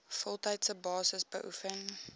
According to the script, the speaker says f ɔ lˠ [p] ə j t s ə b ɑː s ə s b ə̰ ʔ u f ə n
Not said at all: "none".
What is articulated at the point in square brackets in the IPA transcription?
t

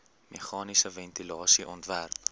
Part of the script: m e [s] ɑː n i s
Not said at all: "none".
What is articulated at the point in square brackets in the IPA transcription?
χ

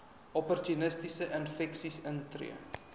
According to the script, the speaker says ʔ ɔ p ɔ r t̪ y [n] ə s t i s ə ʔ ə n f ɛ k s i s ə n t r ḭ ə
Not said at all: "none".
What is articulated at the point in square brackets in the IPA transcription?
n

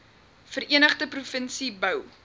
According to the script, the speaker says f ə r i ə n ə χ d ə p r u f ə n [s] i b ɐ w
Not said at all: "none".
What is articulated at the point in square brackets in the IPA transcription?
s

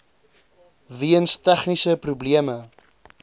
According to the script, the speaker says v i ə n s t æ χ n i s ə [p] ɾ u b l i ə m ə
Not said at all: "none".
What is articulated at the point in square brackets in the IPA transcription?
p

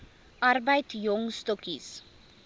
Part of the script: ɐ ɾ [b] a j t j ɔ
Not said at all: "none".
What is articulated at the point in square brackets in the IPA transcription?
b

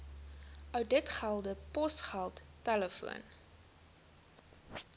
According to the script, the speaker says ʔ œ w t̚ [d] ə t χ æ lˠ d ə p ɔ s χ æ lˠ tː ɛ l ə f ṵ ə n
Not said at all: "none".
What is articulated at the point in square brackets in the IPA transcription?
d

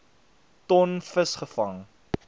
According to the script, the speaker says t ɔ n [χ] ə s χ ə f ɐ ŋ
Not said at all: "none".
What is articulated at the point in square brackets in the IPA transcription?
f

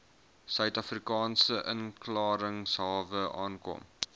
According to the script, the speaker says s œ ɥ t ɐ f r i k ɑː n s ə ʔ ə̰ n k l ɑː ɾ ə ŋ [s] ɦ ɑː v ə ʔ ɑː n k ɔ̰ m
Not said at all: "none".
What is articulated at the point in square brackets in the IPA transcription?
s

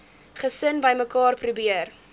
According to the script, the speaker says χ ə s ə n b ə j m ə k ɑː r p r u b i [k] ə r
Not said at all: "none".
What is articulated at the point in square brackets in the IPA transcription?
none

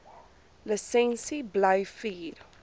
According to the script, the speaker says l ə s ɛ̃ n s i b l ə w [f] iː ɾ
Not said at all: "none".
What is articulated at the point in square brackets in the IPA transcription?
f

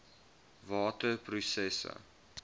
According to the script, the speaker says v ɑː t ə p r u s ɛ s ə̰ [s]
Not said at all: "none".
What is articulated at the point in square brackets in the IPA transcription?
none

